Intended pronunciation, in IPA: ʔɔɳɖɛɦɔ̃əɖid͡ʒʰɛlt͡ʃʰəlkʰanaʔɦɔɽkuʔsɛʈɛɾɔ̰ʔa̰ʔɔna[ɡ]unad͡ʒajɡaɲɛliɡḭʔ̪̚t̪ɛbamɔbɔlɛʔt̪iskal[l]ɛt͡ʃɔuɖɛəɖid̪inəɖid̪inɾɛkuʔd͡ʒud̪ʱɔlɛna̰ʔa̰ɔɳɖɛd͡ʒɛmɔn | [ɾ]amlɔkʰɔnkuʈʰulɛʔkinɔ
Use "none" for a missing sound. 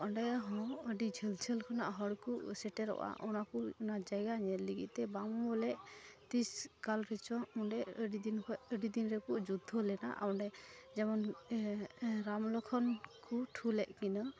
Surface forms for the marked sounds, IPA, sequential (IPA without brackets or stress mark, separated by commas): k, ɾ, ɾ